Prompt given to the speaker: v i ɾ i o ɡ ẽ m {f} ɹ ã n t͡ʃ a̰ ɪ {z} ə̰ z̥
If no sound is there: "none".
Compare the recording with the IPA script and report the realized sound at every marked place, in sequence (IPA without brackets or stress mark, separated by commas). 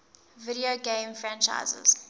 f, z